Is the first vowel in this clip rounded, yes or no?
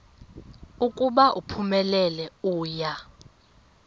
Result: yes